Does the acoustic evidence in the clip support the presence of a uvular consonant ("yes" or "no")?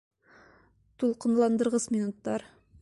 yes